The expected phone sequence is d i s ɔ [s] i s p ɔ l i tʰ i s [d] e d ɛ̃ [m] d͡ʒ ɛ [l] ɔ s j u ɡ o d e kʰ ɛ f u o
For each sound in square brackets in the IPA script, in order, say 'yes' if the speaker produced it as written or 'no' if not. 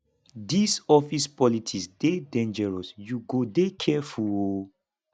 no, yes, no, no

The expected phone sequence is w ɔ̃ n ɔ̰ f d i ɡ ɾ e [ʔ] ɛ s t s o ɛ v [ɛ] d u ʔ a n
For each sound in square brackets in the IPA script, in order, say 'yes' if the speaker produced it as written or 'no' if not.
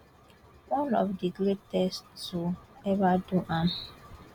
no, no

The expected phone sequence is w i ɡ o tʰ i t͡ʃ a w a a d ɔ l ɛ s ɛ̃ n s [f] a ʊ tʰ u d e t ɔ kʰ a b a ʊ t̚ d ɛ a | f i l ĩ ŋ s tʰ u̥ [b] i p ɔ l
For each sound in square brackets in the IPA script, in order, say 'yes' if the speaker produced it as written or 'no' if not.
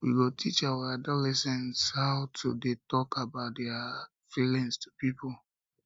no, no

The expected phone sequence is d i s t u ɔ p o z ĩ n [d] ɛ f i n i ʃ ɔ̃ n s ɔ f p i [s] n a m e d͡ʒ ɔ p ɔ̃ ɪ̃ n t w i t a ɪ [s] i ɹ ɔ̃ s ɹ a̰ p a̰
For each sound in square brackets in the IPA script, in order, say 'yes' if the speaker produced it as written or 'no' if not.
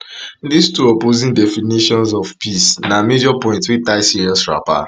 yes, yes, yes

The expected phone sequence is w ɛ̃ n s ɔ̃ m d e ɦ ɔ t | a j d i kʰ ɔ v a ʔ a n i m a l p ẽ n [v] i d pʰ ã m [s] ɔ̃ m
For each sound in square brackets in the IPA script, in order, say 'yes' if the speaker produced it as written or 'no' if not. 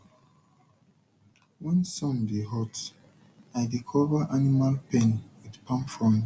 no, no

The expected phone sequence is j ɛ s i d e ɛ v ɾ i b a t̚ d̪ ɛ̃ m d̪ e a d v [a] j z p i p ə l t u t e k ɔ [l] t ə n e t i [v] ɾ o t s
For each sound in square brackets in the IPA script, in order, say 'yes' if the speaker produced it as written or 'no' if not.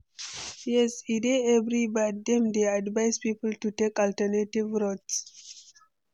yes, yes, yes

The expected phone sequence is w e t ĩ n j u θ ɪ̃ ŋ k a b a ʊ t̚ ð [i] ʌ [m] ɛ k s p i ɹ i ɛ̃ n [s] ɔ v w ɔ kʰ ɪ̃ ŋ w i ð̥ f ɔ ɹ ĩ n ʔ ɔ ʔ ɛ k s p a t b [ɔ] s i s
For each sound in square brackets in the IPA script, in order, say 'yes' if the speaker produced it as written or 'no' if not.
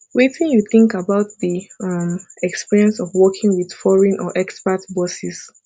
yes, yes, yes, yes

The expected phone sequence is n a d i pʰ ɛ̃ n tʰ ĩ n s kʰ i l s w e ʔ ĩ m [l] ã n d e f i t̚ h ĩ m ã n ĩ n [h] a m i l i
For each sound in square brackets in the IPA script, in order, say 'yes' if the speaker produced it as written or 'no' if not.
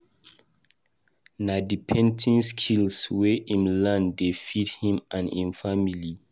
yes, no

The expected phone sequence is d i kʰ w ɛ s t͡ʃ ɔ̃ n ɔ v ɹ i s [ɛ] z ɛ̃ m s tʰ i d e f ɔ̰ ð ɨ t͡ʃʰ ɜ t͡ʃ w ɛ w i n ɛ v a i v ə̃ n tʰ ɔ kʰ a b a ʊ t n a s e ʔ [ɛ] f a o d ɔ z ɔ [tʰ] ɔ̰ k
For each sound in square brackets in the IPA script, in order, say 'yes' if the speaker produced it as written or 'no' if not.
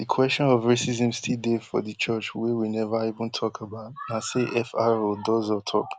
no, yes, yes

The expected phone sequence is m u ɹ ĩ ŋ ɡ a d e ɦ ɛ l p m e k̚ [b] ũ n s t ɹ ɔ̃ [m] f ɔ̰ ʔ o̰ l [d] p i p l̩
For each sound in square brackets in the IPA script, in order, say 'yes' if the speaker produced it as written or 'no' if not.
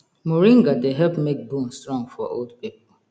yes, no, yes

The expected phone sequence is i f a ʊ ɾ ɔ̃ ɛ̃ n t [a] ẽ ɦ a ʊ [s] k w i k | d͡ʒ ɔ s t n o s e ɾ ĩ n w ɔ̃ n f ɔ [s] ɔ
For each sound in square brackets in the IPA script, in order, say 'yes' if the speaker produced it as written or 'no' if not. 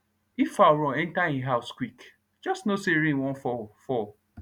yes, yes, no

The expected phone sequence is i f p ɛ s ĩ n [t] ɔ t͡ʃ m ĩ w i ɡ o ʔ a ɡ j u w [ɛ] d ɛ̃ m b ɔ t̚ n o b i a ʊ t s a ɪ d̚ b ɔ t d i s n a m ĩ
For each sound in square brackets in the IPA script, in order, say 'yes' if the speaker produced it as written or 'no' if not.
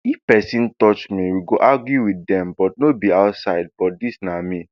yes, no

